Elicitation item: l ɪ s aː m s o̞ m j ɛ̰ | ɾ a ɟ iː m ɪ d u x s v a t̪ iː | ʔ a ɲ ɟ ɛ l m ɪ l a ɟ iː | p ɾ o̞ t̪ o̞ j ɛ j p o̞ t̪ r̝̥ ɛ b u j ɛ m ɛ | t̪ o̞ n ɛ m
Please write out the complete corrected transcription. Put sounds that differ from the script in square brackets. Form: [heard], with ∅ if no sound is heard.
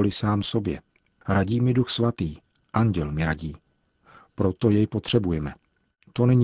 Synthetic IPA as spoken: l ɪ s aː m s o̞ [b] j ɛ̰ | ɾ a ɟ iː m ɪ d u x s v a t̪ iː | ʔ a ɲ ɟ ɛ l m ɪ [ɾ] a ɟ iː | p ɾ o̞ t̪ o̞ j ɛ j p o̞ t̪ r̝̥ ɛ b u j ɛ m ɛ | t̪ o̞ n ɛ [ɲ]